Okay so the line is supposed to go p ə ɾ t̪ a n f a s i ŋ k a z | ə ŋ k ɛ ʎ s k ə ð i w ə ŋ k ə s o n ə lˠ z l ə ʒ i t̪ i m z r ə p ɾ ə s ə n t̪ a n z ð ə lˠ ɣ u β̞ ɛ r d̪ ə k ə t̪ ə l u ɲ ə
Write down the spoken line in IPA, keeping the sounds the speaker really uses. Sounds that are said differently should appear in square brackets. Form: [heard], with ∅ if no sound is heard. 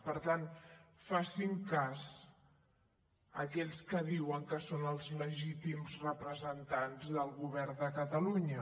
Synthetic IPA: p ə ɾ t̪ a n f a s i ŋ k a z | ə [∅] k ɛ ʎ s k ə ð i w ə ŋ k ə s o n ə lˠ z l ə ʒ i t̪ i m z r ə p ɾ ə [z] ə n t̪ a n z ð ə lˠ ɣ u β̞ ɛ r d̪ ə k ə t̪ ə l u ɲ ə

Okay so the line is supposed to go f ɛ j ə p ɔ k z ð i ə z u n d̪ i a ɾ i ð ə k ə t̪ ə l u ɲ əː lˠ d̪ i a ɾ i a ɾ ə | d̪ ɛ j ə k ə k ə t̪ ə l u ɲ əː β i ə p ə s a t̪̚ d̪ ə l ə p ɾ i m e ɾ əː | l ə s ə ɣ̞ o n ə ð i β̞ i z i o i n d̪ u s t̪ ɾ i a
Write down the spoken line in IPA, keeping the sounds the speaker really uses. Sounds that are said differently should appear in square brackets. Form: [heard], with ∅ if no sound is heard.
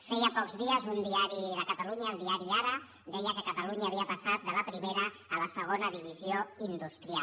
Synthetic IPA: f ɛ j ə p ɔ k z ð i ə z u n d̪ i a ɾ i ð ə k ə t̪ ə l u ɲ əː lˠ d̪ i a ɾ i a ɾ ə | d̪ ɛ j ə k ə k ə t̪ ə l u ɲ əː β i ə p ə s a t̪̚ d̪ ə l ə p ɾ i m e ɾ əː | l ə s ə ɣ̞ o n ə ð i β̞ i z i o i n d̪ u s t̪ ɾ i a

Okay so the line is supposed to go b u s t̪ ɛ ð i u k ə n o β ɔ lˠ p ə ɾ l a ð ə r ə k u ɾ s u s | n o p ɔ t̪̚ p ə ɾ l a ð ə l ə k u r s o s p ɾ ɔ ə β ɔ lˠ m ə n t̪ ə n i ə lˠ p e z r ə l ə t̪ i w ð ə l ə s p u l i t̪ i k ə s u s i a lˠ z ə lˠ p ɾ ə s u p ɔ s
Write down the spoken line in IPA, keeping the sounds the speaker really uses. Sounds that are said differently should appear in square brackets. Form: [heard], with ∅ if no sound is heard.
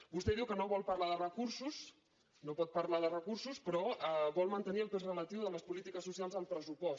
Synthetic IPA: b u s t̪ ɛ ð i [w] k ə n o β ɔ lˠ p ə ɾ l a ð ə r ə k u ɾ s u s | n o p ɔ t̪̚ p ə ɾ l a ð ə [r] ə k u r s [u] s p ɾ ɔ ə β ɔ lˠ m ə n t̪ ə n i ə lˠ p e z r ə l ə t̪ i w ð ə l ə s p u l i t̪ i k ə s u s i a lˠ z ə lˠ p ɾ ə s u p ɔ s

